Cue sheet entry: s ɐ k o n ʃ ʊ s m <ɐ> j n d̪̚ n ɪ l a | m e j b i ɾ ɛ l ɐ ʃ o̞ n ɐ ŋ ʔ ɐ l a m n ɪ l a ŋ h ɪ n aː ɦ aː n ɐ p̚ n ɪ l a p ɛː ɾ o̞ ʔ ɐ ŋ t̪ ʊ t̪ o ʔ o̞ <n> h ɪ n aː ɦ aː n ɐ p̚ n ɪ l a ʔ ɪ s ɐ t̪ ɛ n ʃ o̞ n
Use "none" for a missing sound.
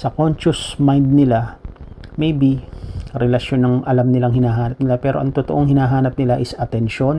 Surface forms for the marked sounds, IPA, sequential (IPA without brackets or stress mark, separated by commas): a, ŋ